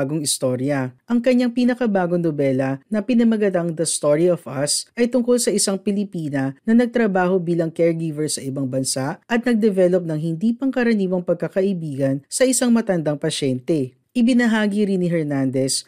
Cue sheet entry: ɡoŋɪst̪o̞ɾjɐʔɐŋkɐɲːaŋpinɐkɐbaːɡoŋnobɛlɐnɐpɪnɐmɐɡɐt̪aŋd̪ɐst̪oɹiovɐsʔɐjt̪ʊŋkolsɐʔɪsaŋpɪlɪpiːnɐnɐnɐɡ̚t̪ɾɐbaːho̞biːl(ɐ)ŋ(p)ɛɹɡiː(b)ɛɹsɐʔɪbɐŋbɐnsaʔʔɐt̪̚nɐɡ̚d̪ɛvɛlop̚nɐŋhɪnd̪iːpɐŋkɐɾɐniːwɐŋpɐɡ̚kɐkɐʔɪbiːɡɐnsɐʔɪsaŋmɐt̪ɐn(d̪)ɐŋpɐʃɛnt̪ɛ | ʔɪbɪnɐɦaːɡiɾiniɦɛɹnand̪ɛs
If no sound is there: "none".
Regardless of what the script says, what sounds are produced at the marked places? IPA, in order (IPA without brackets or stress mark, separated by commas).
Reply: ɐ, k, v, d̪